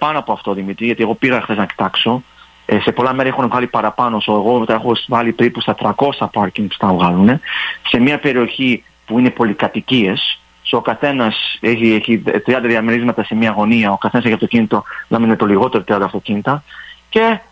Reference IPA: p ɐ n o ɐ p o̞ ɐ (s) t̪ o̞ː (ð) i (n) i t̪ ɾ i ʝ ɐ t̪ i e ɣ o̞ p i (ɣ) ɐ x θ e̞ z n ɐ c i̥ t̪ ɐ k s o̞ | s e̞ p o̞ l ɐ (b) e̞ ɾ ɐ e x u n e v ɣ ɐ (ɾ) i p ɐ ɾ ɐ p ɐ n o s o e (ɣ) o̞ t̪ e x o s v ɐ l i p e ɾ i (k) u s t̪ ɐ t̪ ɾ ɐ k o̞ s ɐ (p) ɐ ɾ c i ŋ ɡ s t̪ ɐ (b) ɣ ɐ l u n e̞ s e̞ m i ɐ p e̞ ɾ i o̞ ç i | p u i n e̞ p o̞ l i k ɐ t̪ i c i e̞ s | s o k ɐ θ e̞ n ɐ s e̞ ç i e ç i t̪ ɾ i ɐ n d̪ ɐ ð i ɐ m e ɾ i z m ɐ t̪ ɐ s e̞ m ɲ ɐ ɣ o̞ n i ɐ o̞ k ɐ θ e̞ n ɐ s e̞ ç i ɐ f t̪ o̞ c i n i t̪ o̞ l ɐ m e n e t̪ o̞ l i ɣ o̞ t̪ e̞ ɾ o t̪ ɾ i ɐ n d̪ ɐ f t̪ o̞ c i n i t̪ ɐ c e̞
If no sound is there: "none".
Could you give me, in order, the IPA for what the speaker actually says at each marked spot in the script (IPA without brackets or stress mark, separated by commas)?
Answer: f, ð, m, ɣ, m, l, ɣ, p, p, v